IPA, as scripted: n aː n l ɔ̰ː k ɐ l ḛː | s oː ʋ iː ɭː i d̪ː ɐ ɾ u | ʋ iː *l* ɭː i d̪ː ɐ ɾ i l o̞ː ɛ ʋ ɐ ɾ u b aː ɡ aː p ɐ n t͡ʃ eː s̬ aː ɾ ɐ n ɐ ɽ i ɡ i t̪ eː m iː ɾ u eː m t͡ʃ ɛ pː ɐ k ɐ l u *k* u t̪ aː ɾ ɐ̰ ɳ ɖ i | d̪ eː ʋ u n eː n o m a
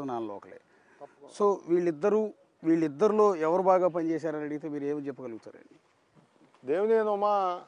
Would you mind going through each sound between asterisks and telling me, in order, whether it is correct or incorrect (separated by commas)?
incorrect, incorrect